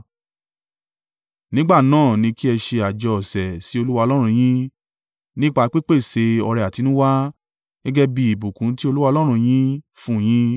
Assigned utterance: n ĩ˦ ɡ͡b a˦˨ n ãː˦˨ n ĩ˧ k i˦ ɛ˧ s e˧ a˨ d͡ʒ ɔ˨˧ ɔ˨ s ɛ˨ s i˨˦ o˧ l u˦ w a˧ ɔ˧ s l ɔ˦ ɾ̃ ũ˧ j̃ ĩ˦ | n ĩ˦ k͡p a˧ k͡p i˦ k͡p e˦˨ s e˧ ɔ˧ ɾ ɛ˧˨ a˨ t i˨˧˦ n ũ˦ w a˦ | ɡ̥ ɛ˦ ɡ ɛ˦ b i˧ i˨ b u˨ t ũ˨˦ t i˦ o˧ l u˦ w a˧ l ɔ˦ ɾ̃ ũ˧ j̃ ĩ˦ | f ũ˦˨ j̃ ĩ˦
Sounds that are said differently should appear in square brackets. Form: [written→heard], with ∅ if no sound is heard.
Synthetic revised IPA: n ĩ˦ ɡ͡b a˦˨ n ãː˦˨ n ĩ˧ k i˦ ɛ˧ [s→ʃ] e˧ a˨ d͡ʒ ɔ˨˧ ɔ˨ s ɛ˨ s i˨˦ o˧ l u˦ w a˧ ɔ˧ [s→∅] l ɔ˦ ɾ̃ ũ˧ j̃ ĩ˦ | n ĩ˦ k͡p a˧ k͡p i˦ k͡p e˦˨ s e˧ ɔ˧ ɾ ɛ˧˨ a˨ t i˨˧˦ n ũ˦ w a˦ | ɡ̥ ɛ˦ ɡ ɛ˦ b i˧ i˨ b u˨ [t→k] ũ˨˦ t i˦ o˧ l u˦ w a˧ l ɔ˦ ɾ̃ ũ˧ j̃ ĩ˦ | f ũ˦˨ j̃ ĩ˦